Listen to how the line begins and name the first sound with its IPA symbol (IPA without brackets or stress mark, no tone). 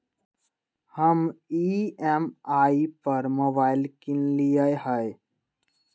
h